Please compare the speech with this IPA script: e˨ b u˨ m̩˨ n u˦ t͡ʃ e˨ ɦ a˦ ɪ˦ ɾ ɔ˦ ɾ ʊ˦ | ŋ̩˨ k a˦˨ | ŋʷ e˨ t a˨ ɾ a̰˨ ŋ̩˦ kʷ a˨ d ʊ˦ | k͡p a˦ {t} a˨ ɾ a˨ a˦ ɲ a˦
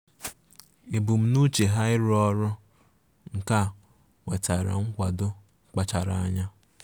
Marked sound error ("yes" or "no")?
yes